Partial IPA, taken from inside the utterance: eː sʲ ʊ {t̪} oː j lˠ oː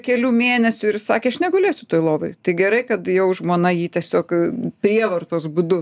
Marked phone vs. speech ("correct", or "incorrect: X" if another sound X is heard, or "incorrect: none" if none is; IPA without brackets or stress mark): correct